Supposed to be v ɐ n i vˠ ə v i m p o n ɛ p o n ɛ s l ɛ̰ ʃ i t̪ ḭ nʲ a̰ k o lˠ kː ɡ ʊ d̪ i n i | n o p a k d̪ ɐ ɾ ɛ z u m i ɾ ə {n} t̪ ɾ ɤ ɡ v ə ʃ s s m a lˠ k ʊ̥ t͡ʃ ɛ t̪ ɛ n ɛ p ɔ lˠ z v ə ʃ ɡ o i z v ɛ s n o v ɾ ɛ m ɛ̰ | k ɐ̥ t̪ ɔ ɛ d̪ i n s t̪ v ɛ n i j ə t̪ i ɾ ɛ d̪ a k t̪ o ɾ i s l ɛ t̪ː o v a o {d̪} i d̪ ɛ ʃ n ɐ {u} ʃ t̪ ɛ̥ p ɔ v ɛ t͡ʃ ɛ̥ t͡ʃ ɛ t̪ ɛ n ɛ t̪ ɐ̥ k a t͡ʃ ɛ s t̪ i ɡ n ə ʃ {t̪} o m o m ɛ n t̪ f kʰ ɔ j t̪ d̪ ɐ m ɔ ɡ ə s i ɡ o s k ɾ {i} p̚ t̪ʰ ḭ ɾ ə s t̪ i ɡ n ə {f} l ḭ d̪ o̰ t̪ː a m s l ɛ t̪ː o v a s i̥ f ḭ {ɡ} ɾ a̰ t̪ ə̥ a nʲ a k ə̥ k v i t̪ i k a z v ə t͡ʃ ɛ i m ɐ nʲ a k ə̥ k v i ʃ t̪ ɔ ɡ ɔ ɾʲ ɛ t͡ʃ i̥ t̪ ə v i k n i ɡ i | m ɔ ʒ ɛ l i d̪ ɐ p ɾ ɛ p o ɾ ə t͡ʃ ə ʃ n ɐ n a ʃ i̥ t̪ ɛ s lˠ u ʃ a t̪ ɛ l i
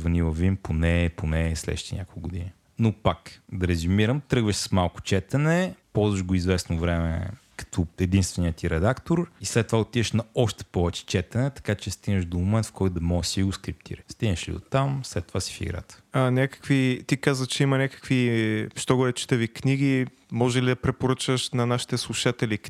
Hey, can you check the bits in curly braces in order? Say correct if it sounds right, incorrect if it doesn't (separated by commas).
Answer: incorrect, incorrect, incorrect, incorrect, correct, incorrect, correct